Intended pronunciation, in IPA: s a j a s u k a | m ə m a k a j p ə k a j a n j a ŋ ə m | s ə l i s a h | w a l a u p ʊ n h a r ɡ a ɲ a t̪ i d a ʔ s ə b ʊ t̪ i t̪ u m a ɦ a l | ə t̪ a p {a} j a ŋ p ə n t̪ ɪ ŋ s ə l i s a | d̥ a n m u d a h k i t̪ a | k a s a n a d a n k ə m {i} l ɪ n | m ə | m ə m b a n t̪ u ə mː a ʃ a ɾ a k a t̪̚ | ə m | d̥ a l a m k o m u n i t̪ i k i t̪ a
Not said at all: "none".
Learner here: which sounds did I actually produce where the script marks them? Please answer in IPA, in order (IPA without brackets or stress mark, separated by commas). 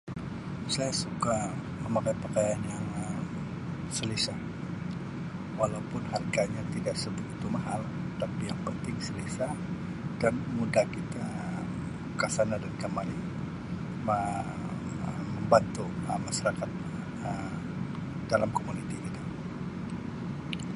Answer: i, a